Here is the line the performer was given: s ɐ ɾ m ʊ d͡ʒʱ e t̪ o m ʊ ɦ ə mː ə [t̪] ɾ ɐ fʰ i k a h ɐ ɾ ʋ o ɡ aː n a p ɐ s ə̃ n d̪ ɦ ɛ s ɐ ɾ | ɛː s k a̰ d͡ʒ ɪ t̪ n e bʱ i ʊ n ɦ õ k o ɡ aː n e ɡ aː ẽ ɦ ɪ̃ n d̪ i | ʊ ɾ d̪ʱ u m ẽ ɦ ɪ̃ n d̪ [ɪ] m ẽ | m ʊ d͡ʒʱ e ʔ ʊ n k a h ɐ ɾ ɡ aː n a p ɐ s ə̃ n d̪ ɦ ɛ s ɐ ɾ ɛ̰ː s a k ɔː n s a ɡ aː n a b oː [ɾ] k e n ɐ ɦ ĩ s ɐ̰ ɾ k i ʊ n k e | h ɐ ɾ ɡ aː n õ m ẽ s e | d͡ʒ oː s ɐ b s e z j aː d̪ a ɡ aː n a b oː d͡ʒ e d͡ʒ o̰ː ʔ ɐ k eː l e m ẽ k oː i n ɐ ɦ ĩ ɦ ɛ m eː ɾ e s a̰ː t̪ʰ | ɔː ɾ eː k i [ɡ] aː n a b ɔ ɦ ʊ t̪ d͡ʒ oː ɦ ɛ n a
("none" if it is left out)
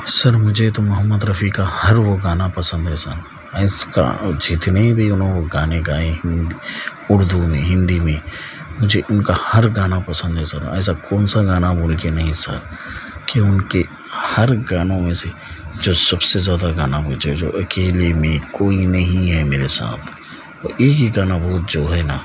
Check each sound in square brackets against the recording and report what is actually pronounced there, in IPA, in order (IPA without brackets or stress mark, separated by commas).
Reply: d̪, i, l, ɡ